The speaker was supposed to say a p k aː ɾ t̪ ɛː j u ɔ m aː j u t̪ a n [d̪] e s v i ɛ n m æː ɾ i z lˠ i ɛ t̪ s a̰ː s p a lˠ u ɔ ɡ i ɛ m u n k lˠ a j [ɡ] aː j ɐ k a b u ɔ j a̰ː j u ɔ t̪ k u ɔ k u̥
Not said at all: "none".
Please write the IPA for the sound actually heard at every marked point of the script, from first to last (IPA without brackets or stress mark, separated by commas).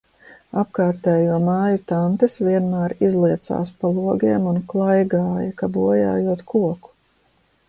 t̪, ɡ